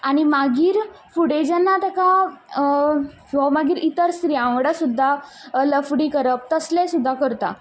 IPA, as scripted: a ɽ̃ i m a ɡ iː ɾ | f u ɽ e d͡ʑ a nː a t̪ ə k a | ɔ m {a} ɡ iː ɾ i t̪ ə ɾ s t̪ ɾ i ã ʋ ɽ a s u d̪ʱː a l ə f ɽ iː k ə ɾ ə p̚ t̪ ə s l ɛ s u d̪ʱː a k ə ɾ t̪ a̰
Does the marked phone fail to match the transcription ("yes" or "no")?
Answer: no